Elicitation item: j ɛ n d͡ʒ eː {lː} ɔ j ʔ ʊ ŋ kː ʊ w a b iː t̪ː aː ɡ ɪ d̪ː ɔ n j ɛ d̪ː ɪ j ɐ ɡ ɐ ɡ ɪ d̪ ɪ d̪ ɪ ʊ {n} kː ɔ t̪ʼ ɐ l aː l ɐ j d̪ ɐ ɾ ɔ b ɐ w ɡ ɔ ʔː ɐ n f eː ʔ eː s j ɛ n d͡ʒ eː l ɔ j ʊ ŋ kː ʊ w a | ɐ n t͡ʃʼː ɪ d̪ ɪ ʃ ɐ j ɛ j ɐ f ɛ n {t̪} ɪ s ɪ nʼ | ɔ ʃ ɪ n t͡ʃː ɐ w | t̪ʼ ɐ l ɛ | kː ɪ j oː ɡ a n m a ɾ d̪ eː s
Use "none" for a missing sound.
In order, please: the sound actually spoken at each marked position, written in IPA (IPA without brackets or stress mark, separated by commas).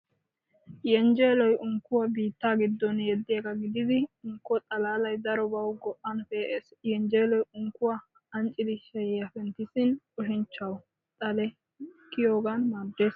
l, ŋ, t̪